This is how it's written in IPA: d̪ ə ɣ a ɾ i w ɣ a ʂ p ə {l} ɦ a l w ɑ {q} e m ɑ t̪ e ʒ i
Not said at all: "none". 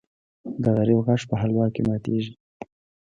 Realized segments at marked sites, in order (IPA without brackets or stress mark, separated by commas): none, k